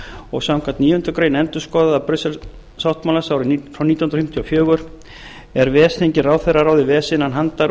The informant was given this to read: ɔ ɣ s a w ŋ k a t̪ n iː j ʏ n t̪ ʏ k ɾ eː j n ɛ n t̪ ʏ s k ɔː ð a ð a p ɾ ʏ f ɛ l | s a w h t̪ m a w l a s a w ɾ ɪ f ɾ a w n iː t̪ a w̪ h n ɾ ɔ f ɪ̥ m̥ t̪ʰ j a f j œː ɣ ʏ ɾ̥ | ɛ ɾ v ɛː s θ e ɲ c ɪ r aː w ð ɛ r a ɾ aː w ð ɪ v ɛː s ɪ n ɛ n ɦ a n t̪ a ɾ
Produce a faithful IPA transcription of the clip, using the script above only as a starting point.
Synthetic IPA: ɔ ɣ s a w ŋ k a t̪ n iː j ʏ n t̪ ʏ k ɾ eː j n ɛ n t̪ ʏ s k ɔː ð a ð a p ɾ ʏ s ɛ l | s a w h t̪ m a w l a s a w ɾ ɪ f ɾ a w n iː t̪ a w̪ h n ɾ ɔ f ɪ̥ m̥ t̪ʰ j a f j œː ɣ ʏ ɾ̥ | ɛ ɾ v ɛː s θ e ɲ c ɪ r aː w θ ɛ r a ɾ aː w ð ɪ v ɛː s ɪ n a n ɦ a n t̪ a ɾ